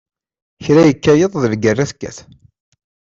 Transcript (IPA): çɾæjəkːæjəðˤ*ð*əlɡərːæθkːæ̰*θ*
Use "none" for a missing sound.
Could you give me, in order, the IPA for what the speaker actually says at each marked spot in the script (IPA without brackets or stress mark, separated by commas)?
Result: ð, θ